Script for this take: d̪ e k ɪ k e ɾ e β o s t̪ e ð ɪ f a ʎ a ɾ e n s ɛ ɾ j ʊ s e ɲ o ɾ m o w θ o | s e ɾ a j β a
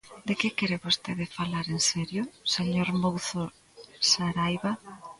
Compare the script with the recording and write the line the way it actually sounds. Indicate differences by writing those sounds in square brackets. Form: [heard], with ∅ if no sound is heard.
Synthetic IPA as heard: d̪ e k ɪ k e ɾ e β o s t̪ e ð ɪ f a [l] a ɾ e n s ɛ ɾ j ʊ s e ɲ o ɾ m o w θ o | s [a] ɾ a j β a

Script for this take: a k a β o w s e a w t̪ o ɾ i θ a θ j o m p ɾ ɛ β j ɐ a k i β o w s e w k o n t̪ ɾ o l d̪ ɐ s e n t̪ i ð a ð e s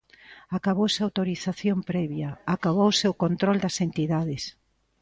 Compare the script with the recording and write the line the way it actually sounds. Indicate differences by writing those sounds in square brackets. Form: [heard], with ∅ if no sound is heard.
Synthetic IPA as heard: a k a β o w s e a w t̪ o ɾ i θ a θ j o m p ɾ ɛ β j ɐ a k [a] β o w s e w k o n t̪ ɾ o l d̪ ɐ s e n t̪ i ð a ð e s

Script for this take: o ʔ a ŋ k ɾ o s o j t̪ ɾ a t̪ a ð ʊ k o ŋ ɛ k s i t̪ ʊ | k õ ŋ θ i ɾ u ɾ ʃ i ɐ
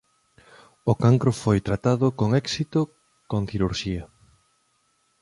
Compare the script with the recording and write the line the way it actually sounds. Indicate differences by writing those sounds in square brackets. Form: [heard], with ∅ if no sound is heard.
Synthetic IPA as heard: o [k] a ŋ k ɾ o [f] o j t̪ ɾ a t̪ a ð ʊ k o ŋ ɛ k s i t̪ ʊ | k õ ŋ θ i ɾ u ɾ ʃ i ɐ

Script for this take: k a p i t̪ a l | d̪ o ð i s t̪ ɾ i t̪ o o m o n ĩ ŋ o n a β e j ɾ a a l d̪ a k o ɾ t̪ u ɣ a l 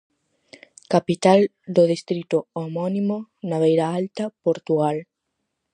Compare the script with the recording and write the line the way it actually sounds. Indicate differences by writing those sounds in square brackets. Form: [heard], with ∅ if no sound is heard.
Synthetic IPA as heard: k a p i t̪ a l | d̪ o ð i s t̪ ɾ i t̪ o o m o n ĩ [m] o n a β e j ɾ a a l [t̪] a [p] o ɾ t̪ u ɣ a l

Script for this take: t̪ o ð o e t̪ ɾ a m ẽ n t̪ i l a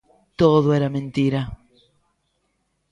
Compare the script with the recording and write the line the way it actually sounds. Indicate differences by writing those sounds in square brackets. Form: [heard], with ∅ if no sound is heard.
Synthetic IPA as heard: t̪ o ð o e [∅] ɾ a m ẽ n t̪ i [ɾ] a

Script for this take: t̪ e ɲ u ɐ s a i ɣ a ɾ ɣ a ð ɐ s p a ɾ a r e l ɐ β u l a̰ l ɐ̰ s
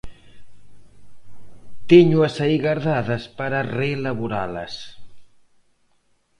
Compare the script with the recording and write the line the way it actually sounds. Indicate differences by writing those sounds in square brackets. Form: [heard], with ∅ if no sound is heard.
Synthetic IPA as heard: t̪ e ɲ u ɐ s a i ɣ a ɾ [ð] a ð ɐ s p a ɾ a r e l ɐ β u [ɾ] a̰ l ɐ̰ s

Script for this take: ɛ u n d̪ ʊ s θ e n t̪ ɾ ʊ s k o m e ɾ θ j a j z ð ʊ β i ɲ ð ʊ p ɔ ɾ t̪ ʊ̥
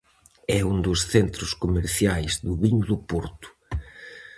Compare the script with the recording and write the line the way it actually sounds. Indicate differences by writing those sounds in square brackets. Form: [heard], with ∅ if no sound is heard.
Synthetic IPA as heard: ɛ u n d̪ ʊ s θ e n t̪ ɾ ʊ s k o m e ɾ θ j a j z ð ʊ β i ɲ ð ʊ p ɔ ɾ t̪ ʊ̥

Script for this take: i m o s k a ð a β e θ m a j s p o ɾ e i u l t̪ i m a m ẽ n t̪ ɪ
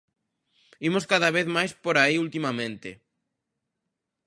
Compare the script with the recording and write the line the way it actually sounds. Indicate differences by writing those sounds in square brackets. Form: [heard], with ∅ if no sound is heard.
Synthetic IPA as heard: i m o s k a ð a β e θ m a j s p o ɾ [a] i u l t̪ i m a m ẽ n t̪ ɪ

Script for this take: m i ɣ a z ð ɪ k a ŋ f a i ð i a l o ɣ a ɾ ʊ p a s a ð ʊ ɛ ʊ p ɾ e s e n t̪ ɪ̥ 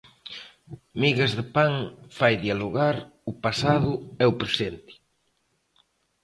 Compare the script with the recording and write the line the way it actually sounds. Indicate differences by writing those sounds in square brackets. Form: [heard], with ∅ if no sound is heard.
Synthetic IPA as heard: m i ɣ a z ð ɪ [p] a ŋ f a [j] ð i a l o ɣ a ɾ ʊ p a s a ð ʊ ɛ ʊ p ɾ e s e n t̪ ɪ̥

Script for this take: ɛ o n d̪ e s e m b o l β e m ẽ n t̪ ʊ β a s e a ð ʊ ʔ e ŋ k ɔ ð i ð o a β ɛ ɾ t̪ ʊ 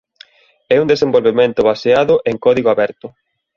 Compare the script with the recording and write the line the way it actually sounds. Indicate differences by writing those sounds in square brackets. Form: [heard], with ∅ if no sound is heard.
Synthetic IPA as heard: ɛ [u] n d̪ e s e m b o l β e m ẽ n t̪ ʊ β a s e a ð ʊ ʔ e ŋ k ɔ ð i [ɣ] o a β ɛ ɾ t̪ ʊ

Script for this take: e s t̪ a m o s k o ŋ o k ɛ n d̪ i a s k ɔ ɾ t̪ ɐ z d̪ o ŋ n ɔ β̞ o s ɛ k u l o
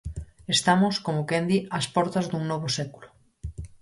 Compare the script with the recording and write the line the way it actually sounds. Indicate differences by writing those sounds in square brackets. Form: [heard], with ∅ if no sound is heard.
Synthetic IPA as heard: e s t̪ a m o s k o [m] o k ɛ n d̪ i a s [p] ɔ ɾ t̪ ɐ z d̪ [u] ŋ n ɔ β̞ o s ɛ k u l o

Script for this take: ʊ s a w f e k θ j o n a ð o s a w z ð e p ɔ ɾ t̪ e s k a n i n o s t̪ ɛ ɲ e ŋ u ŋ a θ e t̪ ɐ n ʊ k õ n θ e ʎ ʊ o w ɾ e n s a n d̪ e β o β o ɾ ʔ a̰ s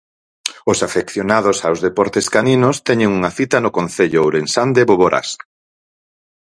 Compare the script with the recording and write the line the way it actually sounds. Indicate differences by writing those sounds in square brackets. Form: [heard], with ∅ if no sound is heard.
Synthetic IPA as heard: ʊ s a [∅] f e k θ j o n a ð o s a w z ð e p ɔ ɾ t̪ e s k a n i n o s t̪ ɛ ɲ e ŋ u ŋ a θ [i] t̪ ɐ n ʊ k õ n θ e ʎ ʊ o w ɾ e n s a n d̪ e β o β o ɾ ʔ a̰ s

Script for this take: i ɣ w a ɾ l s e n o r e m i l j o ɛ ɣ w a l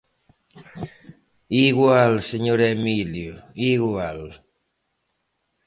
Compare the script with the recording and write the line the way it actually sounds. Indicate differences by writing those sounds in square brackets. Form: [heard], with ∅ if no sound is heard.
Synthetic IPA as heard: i ɣ w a [∅] l s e [ɲ] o [ɾ] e m i l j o [i] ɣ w a l

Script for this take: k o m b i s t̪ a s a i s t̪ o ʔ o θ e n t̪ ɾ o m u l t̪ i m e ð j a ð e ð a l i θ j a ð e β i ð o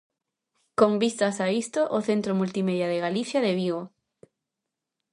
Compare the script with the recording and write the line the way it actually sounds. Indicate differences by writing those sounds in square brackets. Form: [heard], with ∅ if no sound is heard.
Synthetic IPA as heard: k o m b i s t̪ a s a i s t̪ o ʔ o θ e n t̪ ɾ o m u l t̪ i m e ð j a ð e [ɣ] a l i θ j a ð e β i [ɣ] o

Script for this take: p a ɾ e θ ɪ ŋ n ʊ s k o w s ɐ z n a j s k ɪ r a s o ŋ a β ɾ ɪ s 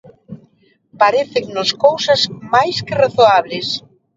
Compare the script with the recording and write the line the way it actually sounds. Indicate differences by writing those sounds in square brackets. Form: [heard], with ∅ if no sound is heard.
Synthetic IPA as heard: p a ɾ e θ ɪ ŋ n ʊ s k o w s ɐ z [m] a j s k ɪ r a [θ] o [∅] a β [l] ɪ s

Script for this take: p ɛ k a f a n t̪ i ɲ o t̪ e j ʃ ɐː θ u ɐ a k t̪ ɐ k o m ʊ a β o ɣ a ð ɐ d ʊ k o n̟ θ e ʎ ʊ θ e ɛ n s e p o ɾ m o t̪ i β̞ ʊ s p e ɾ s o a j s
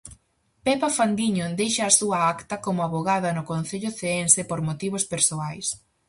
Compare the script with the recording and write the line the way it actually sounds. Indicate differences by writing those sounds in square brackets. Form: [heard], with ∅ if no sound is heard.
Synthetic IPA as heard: p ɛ [p] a f a n [d̪] i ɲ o [d̪] e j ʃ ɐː [s] u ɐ a k t̪ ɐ k o m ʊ a β o ɣ a ð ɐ [n] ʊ k o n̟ θ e ʎ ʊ θ e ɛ n s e p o ɾ m o t̪ i β̞ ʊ s p e ɾ s o a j s

